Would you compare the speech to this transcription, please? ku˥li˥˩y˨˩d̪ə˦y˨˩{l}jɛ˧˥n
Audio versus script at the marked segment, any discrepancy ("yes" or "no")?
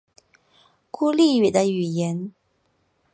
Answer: yes